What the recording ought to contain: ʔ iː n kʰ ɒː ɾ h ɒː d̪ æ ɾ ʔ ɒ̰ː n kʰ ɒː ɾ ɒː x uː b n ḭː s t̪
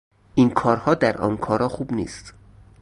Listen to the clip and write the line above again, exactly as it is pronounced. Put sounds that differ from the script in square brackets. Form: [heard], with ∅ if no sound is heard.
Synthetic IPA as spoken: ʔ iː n kʰ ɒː ɾ h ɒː d̪ æ ɾ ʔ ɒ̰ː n kʰ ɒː ɾ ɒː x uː b n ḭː s t̪